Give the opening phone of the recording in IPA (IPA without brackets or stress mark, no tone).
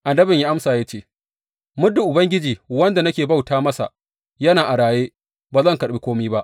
ʔ